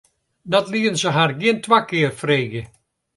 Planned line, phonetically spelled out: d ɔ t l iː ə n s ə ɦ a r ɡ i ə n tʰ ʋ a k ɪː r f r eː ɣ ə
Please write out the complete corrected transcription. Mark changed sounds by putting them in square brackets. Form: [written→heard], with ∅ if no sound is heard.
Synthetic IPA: d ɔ t l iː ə n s ə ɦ a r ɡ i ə n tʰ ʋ a k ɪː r f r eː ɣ ə